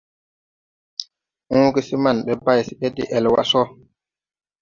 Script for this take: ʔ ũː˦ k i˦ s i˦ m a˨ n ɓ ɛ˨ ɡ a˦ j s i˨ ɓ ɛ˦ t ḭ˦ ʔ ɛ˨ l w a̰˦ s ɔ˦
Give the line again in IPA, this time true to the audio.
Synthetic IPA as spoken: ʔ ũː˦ k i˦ s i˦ m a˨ n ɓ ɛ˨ b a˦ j s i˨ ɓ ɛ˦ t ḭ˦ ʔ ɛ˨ l w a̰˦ s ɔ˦